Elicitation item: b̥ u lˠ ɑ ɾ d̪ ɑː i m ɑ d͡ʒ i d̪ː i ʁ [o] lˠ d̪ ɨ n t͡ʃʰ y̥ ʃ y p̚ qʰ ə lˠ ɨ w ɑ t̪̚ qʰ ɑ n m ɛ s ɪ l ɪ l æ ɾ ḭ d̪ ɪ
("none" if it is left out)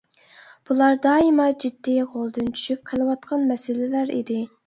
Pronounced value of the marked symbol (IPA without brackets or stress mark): o